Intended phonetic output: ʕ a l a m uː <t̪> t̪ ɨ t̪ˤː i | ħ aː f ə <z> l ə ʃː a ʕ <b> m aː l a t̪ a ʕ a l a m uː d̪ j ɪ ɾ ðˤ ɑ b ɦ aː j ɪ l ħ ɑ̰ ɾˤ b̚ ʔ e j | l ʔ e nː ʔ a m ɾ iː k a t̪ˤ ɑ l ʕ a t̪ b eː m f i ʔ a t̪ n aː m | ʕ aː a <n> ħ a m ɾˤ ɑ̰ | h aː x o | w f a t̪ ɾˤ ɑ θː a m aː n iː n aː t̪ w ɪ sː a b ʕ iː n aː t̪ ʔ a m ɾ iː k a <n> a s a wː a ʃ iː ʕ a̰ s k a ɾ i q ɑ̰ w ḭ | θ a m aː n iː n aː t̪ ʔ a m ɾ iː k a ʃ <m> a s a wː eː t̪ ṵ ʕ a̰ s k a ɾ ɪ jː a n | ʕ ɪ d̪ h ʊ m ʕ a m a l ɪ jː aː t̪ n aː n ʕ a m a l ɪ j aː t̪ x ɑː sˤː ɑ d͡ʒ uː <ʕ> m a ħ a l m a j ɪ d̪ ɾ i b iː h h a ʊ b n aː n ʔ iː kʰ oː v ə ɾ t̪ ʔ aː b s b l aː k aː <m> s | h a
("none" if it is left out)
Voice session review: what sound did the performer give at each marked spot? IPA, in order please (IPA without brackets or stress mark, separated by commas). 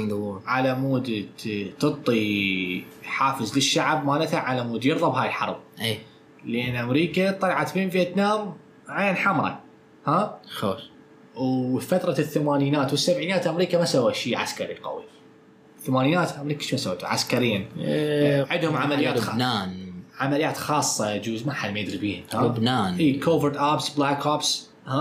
d̪, z, b, n, m, m, z, b